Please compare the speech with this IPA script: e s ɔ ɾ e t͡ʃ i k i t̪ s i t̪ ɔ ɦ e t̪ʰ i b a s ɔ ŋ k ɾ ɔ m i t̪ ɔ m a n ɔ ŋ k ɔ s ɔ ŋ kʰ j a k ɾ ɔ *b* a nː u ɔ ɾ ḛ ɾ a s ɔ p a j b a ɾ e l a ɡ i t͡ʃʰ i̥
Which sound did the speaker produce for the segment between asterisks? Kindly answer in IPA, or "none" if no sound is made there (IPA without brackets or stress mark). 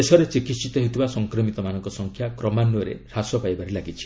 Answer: m